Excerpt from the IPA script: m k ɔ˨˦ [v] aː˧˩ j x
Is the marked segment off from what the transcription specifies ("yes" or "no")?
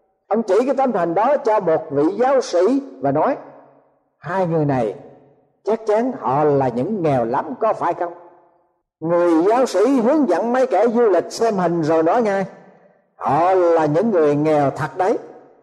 yes